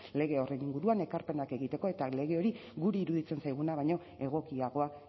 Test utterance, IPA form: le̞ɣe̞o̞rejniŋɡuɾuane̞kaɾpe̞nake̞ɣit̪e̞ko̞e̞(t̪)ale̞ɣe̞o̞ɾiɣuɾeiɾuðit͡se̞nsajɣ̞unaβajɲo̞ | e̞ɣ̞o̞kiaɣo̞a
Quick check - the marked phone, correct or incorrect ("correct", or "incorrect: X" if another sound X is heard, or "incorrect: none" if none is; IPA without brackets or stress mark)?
correct